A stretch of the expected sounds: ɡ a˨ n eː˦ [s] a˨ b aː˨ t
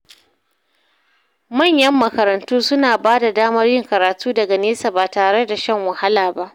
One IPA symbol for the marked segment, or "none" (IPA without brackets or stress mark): s